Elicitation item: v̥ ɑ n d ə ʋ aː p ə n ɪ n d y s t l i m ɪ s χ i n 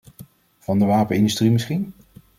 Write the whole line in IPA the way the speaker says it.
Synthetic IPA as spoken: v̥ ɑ n d ə ʋ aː p ə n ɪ n d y s t r i m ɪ s χ i n